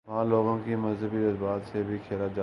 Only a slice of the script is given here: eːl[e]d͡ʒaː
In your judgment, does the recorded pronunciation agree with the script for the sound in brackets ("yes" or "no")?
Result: no